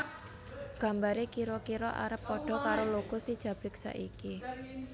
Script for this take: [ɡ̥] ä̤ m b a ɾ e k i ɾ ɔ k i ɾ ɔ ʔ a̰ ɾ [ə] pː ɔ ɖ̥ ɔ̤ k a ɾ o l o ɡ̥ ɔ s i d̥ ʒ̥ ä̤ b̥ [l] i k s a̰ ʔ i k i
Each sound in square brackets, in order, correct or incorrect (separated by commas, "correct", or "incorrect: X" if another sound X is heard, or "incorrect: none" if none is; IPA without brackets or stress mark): correct, correct, incorrect: ɾ